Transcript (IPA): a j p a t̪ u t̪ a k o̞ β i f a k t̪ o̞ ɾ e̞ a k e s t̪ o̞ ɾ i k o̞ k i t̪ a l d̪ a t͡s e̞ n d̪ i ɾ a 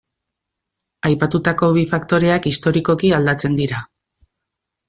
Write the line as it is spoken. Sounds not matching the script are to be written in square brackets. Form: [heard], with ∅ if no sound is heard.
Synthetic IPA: a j p a t̪ u t̪ a k o̞ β i f a k t̪ o̞ ɾ e̞ a k [i] s t̪ o̞ ɾ i k o̞ k i [∅] a l d̪ a t͡s e̞ n d̪ i ɾ a